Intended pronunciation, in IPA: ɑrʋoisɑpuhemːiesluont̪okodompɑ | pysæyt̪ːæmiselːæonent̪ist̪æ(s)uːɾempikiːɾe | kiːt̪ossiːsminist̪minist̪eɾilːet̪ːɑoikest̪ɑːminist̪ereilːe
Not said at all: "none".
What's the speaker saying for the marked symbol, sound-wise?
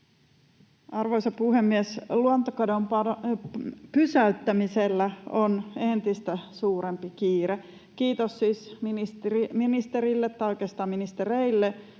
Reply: s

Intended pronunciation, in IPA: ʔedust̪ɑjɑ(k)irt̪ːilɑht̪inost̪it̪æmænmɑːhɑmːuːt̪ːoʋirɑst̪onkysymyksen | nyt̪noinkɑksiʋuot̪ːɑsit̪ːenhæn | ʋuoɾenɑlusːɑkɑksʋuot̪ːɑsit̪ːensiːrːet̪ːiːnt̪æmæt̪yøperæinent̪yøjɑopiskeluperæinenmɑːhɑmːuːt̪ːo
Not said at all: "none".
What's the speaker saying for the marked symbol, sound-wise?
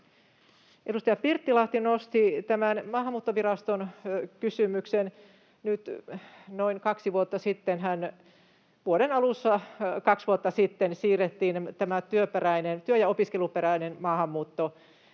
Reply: p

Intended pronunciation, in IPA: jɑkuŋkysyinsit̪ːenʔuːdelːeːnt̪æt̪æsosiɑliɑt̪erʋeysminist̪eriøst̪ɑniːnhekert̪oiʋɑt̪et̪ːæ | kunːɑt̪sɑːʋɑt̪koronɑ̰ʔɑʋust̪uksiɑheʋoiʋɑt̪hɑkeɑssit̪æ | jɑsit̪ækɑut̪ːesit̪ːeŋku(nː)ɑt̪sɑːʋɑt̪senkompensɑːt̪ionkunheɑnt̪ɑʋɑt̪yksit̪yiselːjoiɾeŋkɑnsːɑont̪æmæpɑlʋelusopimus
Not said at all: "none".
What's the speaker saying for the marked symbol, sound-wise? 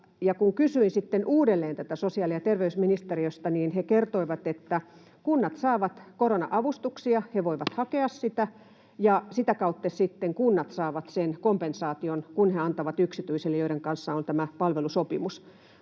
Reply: nː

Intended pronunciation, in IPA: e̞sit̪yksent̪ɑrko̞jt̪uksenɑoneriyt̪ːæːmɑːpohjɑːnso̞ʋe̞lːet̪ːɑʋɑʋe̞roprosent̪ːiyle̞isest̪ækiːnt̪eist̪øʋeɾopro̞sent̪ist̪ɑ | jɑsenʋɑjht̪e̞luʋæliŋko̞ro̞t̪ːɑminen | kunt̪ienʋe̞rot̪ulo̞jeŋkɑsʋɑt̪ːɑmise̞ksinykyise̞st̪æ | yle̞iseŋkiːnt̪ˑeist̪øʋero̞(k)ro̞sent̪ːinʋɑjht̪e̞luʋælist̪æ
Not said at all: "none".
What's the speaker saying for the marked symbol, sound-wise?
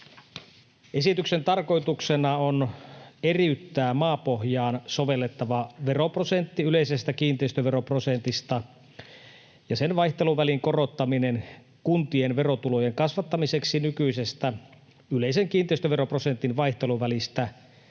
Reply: p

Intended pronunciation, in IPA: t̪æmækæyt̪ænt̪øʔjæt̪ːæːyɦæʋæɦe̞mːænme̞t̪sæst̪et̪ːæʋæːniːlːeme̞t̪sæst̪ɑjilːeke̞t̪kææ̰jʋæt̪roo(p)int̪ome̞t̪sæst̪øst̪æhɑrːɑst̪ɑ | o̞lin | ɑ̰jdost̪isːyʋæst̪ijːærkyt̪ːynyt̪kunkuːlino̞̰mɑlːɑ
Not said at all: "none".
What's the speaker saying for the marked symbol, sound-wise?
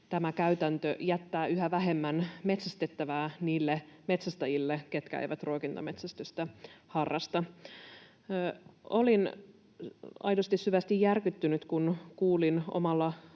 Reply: k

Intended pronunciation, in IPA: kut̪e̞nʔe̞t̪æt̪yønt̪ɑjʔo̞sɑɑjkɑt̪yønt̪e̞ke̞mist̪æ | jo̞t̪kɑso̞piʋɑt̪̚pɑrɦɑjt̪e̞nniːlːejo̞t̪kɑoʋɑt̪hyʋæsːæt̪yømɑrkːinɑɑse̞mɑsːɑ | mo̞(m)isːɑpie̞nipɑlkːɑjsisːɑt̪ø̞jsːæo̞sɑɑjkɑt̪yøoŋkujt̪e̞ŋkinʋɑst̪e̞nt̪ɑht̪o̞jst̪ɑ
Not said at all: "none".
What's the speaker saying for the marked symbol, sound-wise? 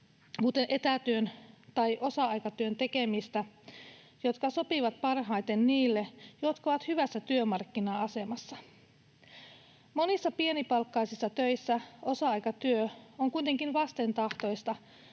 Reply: n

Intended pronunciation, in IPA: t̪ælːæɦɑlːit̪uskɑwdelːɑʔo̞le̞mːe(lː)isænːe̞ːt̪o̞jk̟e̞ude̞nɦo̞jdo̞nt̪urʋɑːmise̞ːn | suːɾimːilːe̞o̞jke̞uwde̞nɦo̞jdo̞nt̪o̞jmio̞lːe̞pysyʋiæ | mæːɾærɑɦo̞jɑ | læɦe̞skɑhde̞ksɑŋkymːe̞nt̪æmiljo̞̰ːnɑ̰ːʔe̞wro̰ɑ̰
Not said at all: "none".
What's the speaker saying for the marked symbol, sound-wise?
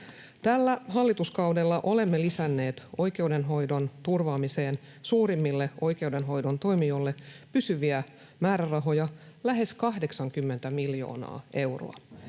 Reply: l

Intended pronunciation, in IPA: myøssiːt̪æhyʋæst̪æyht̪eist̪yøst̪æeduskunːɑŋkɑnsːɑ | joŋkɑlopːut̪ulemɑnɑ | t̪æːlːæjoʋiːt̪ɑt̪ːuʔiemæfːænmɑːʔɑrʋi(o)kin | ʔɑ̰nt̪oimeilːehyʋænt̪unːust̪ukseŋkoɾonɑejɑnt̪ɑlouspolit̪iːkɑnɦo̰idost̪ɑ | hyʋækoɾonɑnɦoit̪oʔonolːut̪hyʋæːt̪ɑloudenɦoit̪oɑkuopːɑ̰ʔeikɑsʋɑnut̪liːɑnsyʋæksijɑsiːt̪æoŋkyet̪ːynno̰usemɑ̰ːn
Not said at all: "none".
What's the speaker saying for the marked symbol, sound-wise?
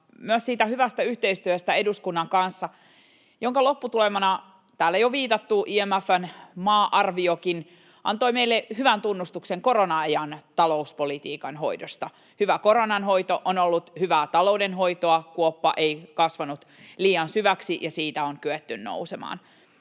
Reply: o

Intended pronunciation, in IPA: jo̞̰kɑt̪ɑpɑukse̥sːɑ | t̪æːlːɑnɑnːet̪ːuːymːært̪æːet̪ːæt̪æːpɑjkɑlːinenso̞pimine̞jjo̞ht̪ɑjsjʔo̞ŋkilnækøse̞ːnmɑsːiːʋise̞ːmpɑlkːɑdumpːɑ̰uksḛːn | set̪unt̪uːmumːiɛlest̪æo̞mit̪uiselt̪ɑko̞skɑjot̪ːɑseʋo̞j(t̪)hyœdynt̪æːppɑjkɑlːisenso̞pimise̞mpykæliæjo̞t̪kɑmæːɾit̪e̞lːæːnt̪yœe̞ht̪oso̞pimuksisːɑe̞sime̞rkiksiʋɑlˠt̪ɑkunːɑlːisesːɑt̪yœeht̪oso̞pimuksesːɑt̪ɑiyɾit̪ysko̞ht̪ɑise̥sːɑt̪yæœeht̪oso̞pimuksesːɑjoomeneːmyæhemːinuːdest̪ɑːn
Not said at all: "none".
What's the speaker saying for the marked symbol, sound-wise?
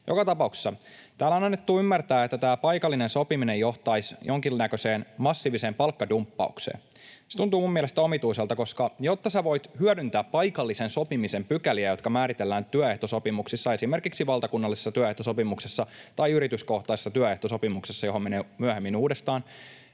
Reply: t̪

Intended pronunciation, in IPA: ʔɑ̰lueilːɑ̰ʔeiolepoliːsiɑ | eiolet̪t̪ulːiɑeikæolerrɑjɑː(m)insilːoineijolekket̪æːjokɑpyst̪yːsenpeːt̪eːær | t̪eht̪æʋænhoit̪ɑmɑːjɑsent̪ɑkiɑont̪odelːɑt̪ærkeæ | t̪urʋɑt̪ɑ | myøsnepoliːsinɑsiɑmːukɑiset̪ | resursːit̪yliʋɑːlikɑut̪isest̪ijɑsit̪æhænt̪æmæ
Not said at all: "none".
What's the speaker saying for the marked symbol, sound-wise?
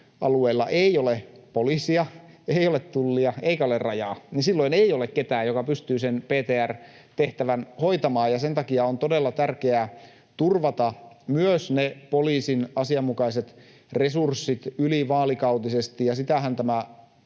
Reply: n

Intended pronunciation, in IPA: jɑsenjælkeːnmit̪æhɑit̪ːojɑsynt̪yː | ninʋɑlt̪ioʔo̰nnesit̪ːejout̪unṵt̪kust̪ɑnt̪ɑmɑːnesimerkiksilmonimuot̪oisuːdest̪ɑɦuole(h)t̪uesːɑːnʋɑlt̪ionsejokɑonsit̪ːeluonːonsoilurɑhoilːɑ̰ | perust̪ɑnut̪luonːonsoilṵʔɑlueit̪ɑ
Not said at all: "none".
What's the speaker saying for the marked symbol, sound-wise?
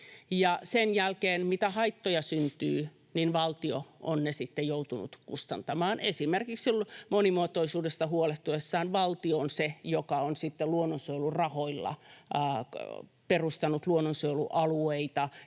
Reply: h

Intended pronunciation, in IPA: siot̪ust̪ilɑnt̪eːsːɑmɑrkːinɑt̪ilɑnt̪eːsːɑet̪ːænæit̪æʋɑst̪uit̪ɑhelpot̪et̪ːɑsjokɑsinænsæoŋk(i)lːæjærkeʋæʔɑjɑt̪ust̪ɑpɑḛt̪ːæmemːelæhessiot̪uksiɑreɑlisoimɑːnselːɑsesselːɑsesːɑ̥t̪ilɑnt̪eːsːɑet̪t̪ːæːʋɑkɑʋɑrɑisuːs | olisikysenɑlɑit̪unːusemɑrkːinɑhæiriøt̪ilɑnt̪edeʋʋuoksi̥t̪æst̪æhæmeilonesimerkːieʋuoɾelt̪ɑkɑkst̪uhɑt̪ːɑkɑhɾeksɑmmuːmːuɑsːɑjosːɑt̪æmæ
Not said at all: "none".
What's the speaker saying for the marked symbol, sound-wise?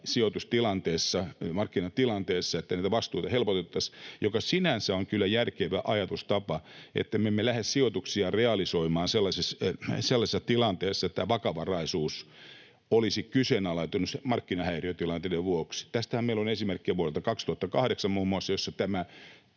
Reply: y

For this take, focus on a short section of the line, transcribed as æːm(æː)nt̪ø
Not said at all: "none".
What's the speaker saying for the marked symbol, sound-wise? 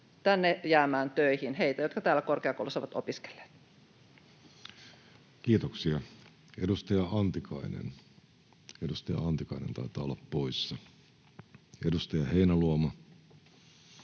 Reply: æː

